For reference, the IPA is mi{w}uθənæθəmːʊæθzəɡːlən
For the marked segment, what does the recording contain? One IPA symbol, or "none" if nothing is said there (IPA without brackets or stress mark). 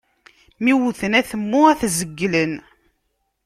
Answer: w